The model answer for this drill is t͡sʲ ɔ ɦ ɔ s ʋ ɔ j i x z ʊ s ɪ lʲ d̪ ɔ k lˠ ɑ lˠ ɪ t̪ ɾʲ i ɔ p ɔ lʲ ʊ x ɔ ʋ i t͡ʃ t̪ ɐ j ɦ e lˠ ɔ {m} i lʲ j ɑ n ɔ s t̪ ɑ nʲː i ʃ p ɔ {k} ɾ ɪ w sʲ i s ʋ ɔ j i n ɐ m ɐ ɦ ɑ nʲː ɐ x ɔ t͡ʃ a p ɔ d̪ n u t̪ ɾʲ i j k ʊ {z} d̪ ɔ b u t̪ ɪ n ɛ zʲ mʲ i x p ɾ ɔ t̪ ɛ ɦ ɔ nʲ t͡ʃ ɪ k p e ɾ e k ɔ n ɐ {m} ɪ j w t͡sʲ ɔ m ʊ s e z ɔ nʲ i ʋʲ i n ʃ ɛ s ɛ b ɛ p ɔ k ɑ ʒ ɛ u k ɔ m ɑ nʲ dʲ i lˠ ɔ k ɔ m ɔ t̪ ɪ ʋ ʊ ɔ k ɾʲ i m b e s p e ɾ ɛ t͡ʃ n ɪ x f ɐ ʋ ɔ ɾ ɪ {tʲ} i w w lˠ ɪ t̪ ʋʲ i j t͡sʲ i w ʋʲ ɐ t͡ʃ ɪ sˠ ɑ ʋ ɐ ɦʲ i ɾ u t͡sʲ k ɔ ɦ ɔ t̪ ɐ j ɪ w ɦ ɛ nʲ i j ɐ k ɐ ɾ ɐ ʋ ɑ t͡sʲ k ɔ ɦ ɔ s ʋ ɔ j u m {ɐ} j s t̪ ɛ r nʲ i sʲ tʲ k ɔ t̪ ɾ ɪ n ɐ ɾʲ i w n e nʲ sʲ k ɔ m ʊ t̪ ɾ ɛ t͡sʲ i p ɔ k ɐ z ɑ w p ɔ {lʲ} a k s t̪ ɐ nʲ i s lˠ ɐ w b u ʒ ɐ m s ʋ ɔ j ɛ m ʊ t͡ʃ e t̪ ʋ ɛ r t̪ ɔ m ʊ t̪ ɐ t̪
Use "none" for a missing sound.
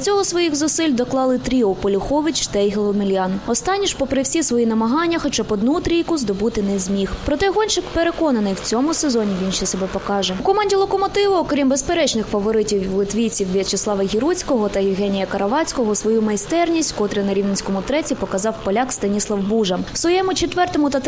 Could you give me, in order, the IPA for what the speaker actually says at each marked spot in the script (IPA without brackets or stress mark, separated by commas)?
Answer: m, p, z, n, tʲ, ɐ, lʲ